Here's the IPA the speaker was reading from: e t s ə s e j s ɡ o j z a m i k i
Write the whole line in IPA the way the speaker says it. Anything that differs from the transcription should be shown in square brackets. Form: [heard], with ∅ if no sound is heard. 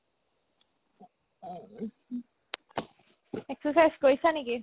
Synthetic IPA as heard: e [k] s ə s [a] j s [k] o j [s] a [n] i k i